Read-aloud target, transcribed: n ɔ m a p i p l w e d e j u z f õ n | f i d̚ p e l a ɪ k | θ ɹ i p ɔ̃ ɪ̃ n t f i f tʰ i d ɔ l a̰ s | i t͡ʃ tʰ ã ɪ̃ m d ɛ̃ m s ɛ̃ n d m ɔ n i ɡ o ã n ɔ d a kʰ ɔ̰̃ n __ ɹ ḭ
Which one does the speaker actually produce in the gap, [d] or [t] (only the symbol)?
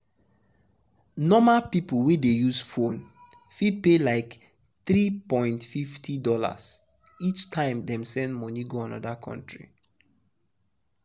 t